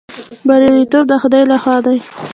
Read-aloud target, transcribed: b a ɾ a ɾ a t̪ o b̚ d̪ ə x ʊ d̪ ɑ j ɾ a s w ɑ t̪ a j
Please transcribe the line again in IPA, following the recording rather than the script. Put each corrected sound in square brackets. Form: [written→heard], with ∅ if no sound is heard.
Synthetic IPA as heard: b a ɾ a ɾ [a→i] t̪ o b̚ d̪ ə x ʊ d̪ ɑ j [ɾ→l] a [s→x] w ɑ [t̪→d̪] a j